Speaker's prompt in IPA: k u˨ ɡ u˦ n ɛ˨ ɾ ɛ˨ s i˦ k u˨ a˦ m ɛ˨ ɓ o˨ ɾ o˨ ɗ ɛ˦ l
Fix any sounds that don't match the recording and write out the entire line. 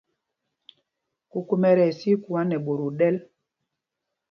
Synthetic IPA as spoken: k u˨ k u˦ m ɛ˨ ɾ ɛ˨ s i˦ k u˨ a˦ n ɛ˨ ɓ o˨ ɾ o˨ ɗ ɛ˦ l